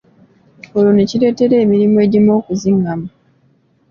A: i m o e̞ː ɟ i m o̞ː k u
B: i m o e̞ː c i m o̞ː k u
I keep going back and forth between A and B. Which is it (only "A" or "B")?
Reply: A